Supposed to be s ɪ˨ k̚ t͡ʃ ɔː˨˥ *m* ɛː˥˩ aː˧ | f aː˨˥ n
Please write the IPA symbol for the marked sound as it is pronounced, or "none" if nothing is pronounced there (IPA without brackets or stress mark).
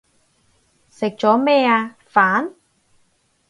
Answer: m